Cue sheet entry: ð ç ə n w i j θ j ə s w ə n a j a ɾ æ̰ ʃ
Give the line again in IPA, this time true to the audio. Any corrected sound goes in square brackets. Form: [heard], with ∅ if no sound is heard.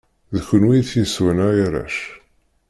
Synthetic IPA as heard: ð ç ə n w i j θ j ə s w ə n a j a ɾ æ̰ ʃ